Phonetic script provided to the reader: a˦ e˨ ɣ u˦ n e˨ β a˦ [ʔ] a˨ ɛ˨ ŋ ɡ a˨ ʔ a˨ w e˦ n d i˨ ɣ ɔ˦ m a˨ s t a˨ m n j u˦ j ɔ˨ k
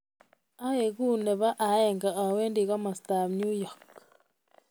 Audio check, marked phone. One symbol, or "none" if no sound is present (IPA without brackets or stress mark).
ʔ